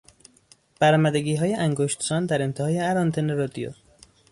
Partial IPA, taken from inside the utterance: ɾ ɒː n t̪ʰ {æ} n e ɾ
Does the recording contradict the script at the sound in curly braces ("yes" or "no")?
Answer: yes